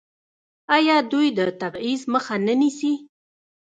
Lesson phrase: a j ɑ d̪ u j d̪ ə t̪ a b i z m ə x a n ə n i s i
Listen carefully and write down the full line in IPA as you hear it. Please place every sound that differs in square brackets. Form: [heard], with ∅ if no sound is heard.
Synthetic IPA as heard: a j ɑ d̪ u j d̪ ə t̪ a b i z m ə x a n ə n i s i